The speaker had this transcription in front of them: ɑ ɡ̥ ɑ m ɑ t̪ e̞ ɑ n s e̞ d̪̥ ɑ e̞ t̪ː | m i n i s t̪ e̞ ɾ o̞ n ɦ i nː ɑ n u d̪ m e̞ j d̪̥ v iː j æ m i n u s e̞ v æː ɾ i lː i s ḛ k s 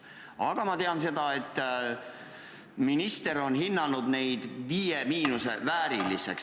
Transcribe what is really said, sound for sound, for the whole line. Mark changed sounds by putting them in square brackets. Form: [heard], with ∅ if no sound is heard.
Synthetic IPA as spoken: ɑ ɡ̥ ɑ m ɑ t̪ e̞ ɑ n s e̞ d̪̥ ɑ e̞ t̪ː | m i n i s t̪ e̞ ɾ o̞ n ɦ i nː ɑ n u d̪ [n] e̞ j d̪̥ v iː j [e] m [iː] n u s e̞ v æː ɾ i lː i s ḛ k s